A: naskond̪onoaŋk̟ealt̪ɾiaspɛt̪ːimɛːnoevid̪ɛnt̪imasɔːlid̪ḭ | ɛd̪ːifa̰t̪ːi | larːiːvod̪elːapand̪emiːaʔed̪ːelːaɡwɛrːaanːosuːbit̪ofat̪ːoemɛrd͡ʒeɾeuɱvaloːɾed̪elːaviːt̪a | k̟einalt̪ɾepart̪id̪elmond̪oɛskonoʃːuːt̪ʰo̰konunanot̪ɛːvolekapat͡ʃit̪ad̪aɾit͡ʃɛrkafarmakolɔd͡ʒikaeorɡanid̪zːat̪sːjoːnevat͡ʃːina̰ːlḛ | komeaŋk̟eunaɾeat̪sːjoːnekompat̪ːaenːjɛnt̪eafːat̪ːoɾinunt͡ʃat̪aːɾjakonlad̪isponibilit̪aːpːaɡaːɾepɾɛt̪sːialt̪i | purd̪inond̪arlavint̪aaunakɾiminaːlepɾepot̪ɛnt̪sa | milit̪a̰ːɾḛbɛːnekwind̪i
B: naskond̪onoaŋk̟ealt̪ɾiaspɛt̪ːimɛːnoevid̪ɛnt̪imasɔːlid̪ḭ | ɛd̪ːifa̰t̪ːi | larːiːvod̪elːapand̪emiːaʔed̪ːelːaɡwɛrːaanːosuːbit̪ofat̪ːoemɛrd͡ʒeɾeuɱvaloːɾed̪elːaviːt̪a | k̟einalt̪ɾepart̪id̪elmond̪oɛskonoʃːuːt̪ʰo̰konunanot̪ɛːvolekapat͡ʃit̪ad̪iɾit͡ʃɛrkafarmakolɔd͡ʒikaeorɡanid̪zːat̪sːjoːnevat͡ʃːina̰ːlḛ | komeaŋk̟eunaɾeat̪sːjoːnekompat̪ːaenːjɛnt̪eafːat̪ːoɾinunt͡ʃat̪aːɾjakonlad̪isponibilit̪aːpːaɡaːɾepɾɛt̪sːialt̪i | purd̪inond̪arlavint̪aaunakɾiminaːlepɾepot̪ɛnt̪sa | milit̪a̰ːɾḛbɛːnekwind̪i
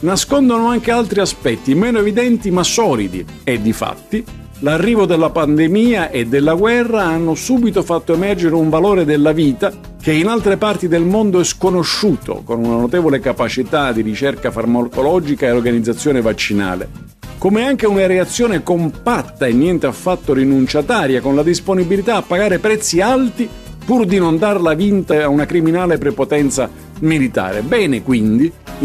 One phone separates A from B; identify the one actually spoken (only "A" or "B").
B